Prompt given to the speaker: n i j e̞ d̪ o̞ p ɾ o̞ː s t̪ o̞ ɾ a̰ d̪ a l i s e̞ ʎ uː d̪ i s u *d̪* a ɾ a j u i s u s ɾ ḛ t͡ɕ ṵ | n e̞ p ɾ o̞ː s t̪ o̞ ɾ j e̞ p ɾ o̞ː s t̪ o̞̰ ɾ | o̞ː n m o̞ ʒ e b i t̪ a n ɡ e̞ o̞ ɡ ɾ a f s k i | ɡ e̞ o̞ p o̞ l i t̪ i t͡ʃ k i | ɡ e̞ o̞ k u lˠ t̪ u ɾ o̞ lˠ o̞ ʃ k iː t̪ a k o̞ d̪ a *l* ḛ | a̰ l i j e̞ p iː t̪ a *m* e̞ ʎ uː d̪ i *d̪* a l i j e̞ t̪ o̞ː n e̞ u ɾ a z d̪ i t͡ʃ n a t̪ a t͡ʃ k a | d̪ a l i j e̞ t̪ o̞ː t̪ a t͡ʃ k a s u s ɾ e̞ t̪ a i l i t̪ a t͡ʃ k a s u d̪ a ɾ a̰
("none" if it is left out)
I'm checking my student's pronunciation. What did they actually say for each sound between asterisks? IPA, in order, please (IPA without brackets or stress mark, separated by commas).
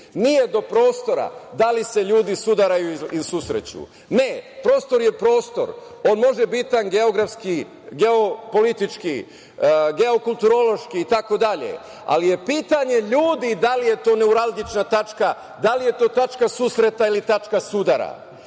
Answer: d̪, ʎ, ɲ, d̪